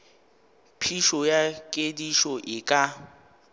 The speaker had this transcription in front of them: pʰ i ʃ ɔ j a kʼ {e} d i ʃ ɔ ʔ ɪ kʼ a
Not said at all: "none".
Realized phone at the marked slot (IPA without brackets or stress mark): e